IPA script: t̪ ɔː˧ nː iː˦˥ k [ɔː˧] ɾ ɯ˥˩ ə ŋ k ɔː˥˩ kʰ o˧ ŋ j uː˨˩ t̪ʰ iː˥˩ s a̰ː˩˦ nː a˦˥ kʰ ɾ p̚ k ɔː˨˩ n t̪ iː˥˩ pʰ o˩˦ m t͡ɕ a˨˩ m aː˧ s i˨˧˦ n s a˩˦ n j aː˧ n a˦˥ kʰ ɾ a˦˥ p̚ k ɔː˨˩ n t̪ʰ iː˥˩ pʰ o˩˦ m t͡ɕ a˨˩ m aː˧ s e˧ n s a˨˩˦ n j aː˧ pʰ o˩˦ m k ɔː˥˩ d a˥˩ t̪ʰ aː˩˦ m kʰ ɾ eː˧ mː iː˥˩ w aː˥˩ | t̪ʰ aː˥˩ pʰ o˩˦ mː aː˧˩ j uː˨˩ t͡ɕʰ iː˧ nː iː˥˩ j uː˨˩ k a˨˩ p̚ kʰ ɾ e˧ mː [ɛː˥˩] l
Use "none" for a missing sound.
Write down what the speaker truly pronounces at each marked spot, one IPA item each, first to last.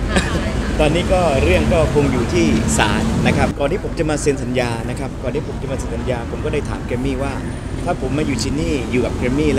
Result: ɔː˥˩, iː˥˩

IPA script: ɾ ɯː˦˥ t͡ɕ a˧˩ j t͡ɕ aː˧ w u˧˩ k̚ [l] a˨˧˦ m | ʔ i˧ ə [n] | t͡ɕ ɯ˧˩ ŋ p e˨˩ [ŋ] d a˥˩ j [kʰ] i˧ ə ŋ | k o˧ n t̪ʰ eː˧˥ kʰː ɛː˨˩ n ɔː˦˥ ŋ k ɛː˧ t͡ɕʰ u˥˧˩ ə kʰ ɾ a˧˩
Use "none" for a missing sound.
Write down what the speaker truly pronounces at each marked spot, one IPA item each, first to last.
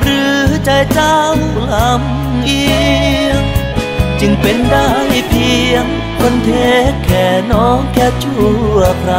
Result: l, ŋ, n, pʰ

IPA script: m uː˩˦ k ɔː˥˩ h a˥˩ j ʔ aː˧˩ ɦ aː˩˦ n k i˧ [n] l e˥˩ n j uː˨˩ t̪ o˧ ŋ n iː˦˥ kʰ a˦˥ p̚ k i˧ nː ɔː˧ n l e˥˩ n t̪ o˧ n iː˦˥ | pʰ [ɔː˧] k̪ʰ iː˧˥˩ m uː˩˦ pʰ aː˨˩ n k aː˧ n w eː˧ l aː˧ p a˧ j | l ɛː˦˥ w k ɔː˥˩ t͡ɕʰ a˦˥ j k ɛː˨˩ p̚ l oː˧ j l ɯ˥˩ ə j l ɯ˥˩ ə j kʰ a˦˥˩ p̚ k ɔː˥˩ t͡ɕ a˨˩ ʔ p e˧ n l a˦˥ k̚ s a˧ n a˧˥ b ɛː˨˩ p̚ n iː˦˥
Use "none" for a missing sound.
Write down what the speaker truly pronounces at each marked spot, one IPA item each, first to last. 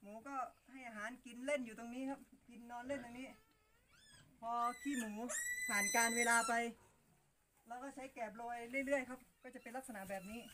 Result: n, ɔː˧

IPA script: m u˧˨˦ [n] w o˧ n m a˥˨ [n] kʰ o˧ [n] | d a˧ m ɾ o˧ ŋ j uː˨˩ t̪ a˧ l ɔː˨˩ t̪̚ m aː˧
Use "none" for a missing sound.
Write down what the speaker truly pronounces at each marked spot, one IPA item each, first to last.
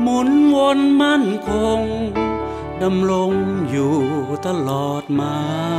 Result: n, n, ŋ

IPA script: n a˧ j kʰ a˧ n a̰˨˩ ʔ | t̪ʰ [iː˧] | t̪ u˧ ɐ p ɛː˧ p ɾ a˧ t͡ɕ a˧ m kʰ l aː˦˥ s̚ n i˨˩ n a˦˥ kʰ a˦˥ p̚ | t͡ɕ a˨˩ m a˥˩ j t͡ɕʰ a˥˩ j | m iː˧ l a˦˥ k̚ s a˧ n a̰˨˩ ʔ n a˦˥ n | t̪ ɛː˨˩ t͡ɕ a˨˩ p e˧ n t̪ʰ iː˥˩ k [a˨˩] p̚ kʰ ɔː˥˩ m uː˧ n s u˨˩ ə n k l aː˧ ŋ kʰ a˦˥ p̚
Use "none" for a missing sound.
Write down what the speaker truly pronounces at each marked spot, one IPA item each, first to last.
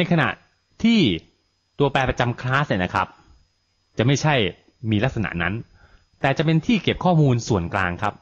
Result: iː˥˩, e˨˩

